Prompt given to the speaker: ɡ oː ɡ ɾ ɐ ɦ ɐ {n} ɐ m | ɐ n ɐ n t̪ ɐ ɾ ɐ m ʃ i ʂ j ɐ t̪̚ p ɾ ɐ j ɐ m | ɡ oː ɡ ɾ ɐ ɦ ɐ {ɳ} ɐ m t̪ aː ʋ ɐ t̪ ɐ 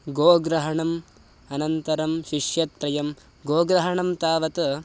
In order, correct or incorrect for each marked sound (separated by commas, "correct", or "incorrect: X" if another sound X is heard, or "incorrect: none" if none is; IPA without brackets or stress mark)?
incorrect: ɳ, correct